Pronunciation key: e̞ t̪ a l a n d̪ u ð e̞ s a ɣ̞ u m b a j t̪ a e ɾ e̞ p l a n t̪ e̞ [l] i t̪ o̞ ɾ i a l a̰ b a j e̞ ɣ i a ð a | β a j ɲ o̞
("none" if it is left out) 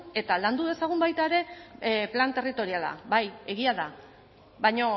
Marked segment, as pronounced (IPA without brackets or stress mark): r